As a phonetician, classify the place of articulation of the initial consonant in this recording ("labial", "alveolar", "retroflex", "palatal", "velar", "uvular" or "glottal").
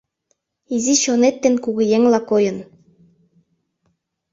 alveolar